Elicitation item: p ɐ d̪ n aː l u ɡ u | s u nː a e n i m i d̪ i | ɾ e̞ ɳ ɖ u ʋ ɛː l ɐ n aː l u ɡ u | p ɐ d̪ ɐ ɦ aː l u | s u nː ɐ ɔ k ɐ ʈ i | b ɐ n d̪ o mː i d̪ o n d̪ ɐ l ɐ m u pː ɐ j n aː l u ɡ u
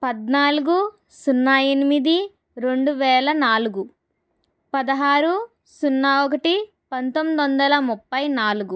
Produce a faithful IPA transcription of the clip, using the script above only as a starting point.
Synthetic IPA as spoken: p ɐ d̪ n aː l u ɡ u | s u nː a e n i m i d̪ i | ɾ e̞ ɳ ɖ u ʋ ɛː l ɐ n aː l u ɡ u | p ɐ d̪ ɐ ɦ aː ɾ u | s u nː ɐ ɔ k ɐ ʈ i | p ɐ n t̪ o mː i d̪ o n d̪ ɐ l ɐ m u pː ɐ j n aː l u ɡ u